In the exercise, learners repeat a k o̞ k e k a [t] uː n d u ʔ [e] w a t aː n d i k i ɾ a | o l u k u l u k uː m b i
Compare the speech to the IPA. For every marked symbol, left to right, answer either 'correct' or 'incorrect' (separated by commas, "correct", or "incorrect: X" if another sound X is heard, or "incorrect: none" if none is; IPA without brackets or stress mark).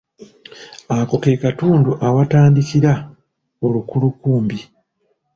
correct, incorrect: a